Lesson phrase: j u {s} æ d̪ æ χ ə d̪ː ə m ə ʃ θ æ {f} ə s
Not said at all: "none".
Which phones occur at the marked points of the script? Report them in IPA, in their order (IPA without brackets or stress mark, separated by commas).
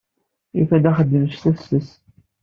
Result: f, s